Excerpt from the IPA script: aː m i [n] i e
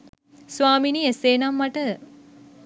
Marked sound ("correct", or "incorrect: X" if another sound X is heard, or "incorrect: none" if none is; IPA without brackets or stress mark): correct